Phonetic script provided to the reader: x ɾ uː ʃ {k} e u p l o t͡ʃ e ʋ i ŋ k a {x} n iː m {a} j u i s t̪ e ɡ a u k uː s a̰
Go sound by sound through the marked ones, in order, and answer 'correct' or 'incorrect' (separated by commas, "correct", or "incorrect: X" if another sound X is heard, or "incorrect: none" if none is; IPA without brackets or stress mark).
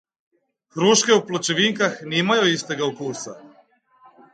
correct, correct, correct